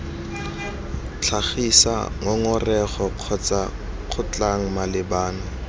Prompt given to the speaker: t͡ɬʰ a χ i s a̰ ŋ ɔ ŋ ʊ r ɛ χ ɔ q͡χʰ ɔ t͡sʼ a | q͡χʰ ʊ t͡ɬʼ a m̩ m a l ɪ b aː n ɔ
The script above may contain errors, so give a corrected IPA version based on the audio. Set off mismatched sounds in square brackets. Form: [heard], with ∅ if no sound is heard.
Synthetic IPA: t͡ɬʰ a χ i s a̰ ŋ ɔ ŋ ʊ r ɛ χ ɔ q͡χʰ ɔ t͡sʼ a | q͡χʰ ʊ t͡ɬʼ a [ŋ̩] m a l ɪ b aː n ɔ

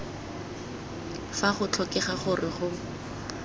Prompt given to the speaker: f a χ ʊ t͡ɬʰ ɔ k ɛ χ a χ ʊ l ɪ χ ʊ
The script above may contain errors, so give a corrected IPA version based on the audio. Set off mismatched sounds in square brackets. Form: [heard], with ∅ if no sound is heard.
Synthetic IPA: f a χ ʊ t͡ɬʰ ɔ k ɛ χ a χ ʊ [r] ɪ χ ʊ

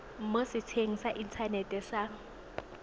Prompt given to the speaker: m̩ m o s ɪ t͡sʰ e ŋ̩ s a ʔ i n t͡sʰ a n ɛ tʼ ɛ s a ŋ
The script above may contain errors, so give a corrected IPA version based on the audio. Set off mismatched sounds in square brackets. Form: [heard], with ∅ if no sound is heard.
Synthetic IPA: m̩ m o s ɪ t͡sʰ e ŋ̩ s a ʔ i n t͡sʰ a n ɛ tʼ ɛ s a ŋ

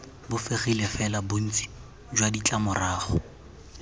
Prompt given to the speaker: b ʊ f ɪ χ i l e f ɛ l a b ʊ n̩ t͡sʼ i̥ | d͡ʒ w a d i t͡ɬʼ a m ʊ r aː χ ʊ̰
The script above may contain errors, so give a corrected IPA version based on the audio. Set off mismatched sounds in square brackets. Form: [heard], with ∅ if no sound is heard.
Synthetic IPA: b ʊ f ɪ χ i l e f ɛ l a b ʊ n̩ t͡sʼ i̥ | d͡ʒ w a d i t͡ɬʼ a m ʊ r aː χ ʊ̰

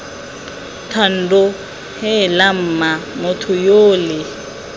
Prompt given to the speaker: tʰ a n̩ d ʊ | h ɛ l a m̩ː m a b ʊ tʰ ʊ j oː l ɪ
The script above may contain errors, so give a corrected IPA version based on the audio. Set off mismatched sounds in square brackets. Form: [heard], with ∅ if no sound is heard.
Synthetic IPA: tʰ a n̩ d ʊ | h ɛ l a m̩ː m a [m] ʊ tʰ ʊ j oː l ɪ

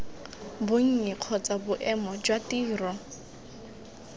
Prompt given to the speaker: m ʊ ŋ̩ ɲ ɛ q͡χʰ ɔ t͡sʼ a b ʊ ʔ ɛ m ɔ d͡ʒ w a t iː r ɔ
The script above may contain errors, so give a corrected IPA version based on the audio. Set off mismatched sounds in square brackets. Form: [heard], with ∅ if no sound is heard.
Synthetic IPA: [b] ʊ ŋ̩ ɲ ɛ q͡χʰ ɔ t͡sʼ a b ʊ ʔ ɛ m ɔ d͡ʒ w a t iː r ɔ

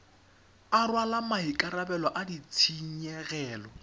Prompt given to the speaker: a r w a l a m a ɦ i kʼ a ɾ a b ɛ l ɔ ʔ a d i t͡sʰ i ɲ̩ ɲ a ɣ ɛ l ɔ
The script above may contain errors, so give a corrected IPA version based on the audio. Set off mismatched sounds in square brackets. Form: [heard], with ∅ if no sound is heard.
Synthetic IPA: a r w a l a m a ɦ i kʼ a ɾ a b ɛ l ɔ ʔ a d i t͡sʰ i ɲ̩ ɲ [ɛ] ɣ [ɛː] l ɔ

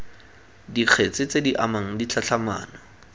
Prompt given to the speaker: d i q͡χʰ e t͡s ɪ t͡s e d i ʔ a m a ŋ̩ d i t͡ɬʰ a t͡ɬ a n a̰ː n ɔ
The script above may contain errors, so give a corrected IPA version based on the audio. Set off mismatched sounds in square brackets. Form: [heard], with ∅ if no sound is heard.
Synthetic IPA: d i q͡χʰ e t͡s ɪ t͡s e d i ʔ a m a ŋ̩ d i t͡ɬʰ a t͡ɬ a [m] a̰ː n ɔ

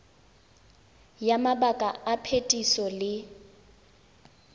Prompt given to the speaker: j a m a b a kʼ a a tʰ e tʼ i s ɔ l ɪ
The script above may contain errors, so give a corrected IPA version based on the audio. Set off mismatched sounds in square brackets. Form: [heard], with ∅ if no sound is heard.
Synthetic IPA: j a m a b a kʼ a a [pʰ] e tʼ i s ɔ l ɪ

